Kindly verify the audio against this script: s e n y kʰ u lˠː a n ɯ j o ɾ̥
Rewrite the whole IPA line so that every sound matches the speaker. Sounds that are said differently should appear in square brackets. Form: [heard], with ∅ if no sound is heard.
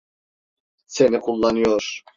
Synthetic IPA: s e n [i] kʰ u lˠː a n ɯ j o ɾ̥